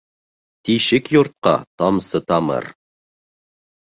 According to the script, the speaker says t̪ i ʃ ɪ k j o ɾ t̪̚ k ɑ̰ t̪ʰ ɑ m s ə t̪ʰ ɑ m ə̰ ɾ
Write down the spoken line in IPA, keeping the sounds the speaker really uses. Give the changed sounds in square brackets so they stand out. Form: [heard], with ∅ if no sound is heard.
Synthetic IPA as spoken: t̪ i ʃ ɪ k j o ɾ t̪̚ [q] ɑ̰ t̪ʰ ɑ m s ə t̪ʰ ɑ m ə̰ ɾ